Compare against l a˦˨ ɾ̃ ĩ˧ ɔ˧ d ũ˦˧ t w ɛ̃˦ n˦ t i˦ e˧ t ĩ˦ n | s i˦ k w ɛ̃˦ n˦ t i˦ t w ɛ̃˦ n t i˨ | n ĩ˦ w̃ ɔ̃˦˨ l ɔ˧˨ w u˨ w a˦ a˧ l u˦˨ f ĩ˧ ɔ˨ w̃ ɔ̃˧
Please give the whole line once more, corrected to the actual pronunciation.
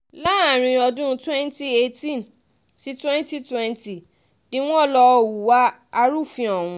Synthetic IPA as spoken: l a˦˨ ɾ̃ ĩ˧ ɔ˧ d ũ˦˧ t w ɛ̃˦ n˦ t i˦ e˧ t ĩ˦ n | s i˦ t w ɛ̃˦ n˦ t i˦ t w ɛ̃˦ n t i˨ | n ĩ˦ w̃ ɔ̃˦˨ l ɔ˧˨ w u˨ w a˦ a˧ ɾ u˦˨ f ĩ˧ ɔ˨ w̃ ũ˧

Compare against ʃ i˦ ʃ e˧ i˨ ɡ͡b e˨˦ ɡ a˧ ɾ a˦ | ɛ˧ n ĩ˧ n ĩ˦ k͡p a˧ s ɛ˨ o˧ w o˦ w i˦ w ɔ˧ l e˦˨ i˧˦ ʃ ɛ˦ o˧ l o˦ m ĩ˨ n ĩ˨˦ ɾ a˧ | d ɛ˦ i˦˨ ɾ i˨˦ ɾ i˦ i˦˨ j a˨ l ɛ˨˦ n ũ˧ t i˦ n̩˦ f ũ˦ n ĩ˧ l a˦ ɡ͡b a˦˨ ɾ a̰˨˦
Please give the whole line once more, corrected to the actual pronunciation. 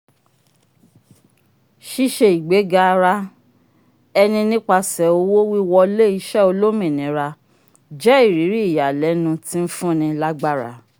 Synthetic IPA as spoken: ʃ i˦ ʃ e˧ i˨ ɡ͡b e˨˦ ɡ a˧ ɾ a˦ | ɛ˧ n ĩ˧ n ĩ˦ k͡p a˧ s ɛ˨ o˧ w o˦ w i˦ w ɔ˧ l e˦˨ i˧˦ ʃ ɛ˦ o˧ l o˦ m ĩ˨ n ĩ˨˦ ɾ a˧ | d͡ʒ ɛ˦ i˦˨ ɾ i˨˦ ɾ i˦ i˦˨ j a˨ l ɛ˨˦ n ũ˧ t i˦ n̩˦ f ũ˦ n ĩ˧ l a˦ ɡ͡b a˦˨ ɾ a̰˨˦

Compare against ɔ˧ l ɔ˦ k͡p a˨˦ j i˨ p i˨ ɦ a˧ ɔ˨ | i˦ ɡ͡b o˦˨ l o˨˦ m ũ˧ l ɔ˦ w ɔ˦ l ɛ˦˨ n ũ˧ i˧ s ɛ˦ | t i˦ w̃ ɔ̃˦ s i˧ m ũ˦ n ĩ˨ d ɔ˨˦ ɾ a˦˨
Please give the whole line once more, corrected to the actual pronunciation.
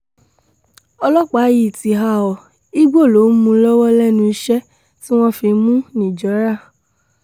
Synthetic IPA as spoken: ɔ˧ l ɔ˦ k͡p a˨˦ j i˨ t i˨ ɦ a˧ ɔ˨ | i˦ ɡ͡b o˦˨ l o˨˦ m ũ˧ l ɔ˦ w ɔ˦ l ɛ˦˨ n ũ˧ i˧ ʃ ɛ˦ | t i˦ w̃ ɔ̃˦ f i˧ m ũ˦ n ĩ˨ d͡ʒ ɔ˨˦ ɾ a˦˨

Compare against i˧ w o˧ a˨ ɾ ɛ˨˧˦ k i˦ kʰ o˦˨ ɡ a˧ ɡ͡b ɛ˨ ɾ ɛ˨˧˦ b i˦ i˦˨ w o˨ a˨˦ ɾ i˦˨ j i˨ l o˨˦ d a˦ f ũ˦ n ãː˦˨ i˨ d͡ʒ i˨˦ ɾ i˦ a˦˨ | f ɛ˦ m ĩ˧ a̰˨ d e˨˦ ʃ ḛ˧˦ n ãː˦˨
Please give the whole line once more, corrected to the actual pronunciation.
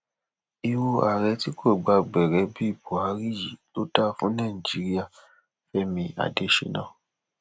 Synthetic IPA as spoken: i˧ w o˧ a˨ ɾ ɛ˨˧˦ t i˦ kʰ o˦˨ ɡ͡b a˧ ɡ͡b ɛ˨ ɾ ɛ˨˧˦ b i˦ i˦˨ b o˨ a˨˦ ɾ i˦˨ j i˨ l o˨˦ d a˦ f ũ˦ n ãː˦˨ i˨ d͡ʒ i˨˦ ɾ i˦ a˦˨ | f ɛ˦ m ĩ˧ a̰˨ d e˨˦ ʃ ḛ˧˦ n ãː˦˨

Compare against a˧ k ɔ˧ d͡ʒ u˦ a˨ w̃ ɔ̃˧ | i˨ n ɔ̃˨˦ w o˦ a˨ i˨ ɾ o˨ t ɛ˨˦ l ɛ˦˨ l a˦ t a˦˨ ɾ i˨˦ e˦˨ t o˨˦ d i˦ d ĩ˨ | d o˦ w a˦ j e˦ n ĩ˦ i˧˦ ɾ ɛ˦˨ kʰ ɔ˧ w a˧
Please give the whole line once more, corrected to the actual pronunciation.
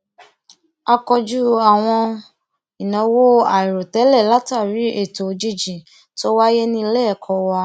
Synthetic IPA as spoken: a˧ k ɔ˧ d͡ʒ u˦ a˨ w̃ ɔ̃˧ | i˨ n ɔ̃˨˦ w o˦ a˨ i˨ ɾ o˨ t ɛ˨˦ l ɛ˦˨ l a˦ t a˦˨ ɾ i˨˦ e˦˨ t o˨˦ d͡ʒ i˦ d͡ʒ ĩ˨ | t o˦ w a˦ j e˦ n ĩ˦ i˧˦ l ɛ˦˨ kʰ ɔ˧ w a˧

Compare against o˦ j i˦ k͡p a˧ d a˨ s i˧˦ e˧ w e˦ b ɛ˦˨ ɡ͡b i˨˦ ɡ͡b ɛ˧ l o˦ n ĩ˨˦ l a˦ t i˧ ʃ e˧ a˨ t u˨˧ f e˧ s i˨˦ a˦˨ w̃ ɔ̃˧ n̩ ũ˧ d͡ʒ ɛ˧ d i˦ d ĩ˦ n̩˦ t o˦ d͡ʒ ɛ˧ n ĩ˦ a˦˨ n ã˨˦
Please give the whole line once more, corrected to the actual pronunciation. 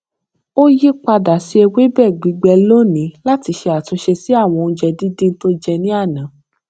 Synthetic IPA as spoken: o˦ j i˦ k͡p a˧ d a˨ s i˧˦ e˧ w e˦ b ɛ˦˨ ɡ͡b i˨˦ ɡ͡b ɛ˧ l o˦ n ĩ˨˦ l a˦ t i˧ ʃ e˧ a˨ t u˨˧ ʃ e˧ s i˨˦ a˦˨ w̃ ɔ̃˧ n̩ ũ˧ d͡ʒ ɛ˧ d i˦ d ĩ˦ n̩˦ t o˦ d͡ʒ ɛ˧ n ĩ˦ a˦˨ n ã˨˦

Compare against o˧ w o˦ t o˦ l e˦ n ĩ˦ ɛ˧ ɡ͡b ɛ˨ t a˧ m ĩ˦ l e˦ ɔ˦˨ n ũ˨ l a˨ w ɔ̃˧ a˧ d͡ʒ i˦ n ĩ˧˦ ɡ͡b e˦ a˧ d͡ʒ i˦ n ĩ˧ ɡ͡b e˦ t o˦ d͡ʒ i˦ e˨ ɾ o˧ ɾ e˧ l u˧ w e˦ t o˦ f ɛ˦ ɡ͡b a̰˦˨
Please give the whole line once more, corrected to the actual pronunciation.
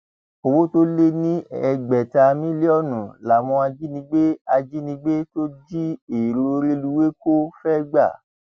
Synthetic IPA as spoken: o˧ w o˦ t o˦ l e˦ n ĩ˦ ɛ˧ ɡ͡b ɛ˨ t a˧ m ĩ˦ l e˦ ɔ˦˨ n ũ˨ l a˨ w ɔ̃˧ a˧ d͡ʒ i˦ n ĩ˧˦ ɡ͡b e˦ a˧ d͡ʒ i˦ n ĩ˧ ɡ͡b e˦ t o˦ d͡ʒ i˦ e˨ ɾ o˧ ɾ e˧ l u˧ w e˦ k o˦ f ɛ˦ ɡ͡b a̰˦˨

